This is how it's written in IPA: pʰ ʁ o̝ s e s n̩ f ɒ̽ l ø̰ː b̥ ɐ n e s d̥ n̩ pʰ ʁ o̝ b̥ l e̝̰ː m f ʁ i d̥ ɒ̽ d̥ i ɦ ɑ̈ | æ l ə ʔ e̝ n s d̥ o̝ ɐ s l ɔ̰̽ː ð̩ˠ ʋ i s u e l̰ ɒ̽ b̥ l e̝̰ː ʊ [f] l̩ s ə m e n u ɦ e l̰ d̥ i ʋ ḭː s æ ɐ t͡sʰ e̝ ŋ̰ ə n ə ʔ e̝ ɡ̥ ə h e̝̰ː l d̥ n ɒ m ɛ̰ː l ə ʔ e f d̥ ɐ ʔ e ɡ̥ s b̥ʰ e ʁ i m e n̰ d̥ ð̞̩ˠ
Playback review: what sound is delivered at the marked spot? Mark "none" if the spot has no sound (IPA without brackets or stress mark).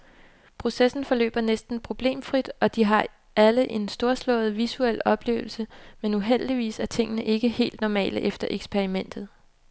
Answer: none